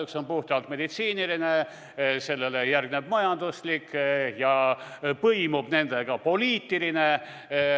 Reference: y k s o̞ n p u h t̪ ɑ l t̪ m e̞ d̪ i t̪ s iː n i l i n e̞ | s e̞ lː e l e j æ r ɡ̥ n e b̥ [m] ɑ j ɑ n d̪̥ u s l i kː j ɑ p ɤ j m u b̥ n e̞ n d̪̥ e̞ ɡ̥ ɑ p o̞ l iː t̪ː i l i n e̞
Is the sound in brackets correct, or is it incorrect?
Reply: correct